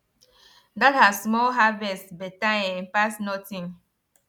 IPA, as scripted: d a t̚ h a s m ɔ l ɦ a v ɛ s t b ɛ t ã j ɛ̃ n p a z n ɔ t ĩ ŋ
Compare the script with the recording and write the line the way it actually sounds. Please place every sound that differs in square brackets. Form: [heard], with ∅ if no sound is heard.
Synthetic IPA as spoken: d a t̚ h a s m ɔ l ɦ a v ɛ s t b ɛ t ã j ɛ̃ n p a [s] n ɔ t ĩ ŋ